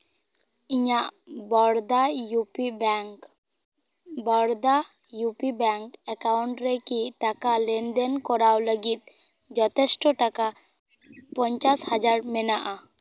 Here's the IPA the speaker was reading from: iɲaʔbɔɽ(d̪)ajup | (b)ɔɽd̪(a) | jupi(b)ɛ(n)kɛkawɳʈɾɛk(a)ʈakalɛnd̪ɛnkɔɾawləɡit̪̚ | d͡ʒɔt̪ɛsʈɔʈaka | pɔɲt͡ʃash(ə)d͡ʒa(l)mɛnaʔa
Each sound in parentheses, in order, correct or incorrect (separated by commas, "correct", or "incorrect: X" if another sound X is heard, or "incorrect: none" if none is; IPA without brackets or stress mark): correct, correct, correct, correct, incorrect: ŋ, incorrect: i, incorrect: a, incorrect: ɾ